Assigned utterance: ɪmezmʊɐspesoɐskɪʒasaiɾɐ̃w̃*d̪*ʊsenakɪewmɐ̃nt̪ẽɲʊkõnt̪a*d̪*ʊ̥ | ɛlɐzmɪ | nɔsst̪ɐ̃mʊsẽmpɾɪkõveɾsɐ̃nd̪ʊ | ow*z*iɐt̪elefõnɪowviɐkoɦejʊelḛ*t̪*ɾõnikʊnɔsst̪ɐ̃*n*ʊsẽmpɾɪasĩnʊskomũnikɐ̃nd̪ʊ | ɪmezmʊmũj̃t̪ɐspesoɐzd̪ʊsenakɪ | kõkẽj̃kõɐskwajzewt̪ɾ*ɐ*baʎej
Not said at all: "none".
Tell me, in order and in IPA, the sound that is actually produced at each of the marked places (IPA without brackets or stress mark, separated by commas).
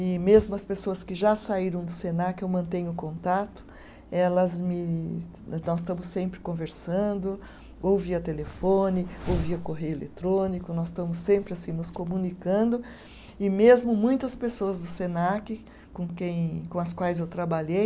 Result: d̪, t̪, v, t̪, m, a